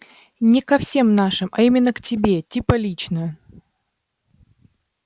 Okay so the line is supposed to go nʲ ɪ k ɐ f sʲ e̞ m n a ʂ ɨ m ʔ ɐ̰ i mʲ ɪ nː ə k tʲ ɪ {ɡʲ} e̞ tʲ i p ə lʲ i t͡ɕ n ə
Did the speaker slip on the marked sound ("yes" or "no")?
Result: yes